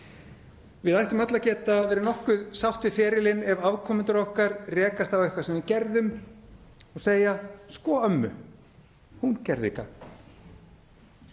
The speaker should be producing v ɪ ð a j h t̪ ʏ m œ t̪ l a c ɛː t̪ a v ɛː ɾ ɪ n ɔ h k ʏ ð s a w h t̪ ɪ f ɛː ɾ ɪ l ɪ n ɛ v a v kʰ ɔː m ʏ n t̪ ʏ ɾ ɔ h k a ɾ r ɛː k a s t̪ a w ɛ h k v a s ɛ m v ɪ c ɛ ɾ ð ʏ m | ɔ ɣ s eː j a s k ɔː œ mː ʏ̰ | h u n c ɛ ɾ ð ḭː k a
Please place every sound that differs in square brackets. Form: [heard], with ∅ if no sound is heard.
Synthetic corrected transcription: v ɪ ð a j h t̪ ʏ m œ t̪ l a c ɛː t̪ a v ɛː ɾ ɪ n ɔ h k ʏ ð s a w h t̪ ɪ f ɛː ɾ ɪ l ɪ n ɛ v a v kʰ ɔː m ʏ n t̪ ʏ ɾ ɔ h k a ɾ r ɛː k a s t̪ a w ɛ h k v a s ɛ m v ɪ c ɛ ɾ ð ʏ m | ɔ ɣ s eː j a s k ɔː œ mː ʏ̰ | h u n c ɛ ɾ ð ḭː k a

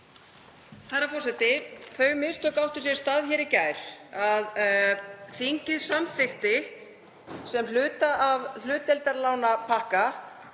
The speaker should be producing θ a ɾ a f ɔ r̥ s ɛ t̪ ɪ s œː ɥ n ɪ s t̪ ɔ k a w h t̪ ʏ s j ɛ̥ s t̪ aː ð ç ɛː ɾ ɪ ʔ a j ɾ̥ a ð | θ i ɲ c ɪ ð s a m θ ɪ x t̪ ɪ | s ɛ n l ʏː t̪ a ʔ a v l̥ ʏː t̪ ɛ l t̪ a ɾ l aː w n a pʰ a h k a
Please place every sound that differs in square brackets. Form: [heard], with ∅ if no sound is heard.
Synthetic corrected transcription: θ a ɾ a f ɔ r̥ s ɛ t̪ ɪ [θ] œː ɥ [m] ɪ s t̪ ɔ k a w h t̪ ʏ s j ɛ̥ s t̪ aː ð ç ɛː ɾ ɪ [c] a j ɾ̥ a ð | θ i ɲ c ɪ ð s a m θ ɪ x t̪ ɪ | s ɛ [m] l ʏː t̪ a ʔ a v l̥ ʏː t̪ ɛ l t̪ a ɾ l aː w n a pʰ a h k a

